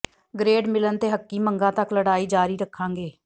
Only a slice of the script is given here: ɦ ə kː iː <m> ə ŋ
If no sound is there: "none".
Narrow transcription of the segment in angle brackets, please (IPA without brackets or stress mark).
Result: m